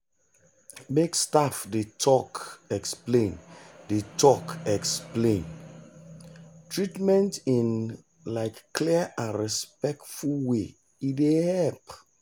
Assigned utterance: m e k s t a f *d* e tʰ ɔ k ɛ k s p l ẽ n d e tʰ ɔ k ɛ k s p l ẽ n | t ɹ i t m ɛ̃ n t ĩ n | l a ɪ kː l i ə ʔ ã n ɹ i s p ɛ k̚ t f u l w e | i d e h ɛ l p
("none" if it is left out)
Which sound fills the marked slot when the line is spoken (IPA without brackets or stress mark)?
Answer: d